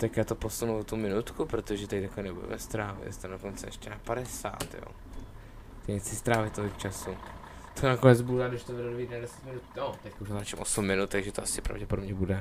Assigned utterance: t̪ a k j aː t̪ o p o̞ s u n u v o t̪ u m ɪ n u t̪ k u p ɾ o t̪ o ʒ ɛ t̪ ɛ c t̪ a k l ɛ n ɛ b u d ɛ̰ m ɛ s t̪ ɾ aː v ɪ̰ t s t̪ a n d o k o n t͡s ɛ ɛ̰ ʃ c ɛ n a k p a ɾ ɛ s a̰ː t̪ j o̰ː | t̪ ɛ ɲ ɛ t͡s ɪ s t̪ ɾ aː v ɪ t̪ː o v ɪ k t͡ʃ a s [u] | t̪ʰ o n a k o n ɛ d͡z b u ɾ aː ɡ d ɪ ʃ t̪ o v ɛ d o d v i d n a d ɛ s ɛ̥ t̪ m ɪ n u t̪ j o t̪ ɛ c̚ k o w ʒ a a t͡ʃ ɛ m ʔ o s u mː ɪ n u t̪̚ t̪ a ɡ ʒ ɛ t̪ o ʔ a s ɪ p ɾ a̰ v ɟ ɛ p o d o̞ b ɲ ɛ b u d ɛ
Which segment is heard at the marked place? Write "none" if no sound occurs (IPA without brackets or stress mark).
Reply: u